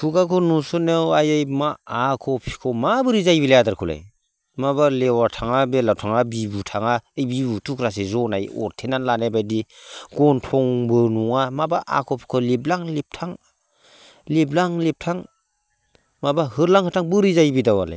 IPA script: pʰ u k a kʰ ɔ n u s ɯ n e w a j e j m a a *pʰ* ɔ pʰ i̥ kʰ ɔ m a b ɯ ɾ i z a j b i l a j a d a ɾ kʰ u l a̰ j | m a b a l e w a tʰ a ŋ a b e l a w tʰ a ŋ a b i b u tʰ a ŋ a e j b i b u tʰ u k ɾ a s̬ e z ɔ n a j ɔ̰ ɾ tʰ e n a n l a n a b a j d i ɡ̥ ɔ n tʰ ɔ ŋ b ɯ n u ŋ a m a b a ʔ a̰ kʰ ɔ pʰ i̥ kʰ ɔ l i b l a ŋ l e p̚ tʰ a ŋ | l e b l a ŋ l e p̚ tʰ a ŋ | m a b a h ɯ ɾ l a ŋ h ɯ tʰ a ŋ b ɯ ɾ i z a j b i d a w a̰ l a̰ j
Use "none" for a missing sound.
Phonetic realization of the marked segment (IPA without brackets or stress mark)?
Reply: kʰ